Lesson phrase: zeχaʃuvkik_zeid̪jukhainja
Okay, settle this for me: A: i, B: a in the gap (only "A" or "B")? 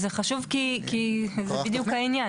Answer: A